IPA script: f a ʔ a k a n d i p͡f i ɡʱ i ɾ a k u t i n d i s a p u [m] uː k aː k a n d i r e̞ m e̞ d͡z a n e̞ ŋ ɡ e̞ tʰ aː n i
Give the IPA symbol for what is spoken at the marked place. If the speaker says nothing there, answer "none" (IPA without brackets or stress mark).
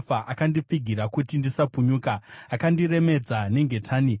ɲ